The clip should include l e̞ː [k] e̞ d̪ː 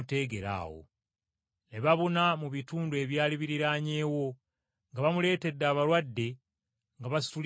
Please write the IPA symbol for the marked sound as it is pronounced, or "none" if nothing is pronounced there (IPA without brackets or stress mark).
t